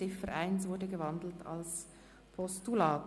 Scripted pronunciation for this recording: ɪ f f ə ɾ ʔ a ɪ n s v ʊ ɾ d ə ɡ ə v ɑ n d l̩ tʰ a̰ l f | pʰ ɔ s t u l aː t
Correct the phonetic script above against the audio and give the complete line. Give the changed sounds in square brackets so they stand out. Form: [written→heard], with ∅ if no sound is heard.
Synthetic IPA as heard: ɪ f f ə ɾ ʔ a ɪ n s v ʊ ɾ d ə ɡ ə v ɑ n d l̩ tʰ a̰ l [f→s] | pʰ ɔ s t u l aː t